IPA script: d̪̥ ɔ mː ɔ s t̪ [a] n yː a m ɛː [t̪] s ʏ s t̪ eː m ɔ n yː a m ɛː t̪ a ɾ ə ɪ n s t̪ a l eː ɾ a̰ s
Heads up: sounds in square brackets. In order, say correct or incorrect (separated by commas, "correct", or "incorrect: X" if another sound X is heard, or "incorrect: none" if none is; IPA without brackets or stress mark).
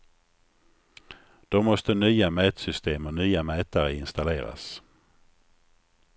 incorrect: ə, correct